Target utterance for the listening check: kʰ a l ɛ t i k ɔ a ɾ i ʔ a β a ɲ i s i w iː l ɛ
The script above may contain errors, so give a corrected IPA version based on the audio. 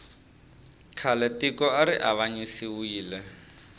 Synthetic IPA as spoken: kʰ a l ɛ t i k ɔ a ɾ i ʔ a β a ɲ i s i w iː l ɛ